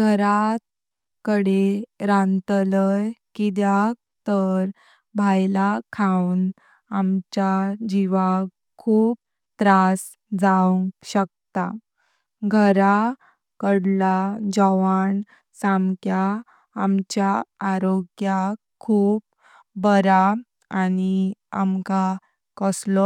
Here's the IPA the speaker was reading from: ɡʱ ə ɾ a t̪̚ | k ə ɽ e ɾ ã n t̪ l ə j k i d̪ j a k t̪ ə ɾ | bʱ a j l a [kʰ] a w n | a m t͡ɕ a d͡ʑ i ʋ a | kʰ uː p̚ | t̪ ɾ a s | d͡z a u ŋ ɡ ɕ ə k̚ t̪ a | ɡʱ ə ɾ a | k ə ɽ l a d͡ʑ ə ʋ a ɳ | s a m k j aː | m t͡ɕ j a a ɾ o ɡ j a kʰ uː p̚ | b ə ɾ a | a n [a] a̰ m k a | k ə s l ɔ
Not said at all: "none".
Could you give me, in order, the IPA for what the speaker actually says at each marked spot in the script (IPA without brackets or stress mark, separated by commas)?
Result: kʰ, i